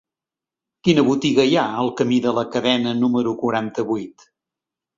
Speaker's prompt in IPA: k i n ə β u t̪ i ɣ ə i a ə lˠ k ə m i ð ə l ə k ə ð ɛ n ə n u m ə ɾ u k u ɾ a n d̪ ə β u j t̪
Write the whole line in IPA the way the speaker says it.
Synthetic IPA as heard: k i n ə β u t̪ i ɣ ə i a ə lˠ k ə m i ð ə l ə k ə ð ɛ n ə n u m ə ɾ u k u ɾ a n t̪ ə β u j t̪